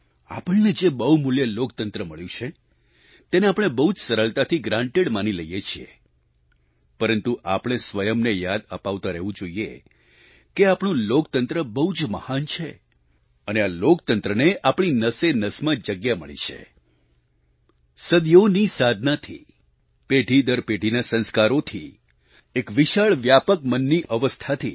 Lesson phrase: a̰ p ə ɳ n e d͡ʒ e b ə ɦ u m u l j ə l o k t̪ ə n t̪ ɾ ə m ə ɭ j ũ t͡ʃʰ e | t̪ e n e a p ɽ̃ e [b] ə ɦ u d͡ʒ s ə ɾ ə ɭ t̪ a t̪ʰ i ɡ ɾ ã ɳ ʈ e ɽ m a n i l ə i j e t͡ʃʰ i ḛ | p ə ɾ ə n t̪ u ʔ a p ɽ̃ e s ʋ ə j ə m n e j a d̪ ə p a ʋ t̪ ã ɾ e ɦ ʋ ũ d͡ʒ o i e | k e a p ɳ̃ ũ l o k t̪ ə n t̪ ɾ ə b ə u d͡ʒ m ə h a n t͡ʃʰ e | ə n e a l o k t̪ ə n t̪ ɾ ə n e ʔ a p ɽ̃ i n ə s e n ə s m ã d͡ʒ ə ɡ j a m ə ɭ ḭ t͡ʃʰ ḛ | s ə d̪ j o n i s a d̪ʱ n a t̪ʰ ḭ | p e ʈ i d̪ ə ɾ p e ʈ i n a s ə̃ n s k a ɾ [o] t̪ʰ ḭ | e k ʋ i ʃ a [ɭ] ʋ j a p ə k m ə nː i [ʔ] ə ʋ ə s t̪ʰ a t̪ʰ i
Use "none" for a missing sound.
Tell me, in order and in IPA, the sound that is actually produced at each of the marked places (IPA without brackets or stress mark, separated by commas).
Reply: b, o, ɭ, ʔ